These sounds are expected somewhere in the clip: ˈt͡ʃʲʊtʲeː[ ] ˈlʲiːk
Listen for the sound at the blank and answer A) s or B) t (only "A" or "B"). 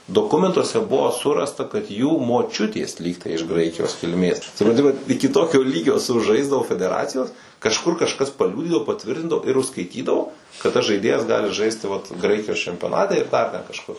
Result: A